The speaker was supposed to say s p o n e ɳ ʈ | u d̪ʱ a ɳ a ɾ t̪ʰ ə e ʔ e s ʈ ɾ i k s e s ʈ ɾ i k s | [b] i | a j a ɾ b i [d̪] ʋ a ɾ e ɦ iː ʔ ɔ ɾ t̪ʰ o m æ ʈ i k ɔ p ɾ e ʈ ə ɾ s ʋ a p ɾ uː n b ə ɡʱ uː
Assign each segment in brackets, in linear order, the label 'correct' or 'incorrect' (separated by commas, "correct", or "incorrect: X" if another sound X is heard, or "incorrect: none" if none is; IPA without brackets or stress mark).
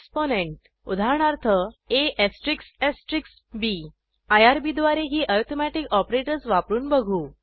correct, correct